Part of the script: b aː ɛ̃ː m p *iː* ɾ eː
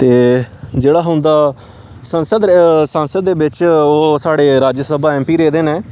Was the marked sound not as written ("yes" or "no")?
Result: no